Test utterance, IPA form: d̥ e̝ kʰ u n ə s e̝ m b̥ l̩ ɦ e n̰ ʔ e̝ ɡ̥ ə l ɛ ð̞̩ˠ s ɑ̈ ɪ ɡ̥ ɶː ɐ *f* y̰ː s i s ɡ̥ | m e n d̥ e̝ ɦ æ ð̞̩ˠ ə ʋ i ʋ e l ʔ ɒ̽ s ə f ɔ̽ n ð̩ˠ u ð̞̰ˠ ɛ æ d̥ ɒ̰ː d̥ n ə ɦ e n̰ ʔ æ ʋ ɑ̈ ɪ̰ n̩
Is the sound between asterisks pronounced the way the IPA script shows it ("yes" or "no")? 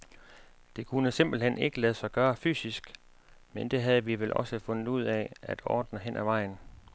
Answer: yes